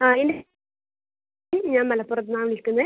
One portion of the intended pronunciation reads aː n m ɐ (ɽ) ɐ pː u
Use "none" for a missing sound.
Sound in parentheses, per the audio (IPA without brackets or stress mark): l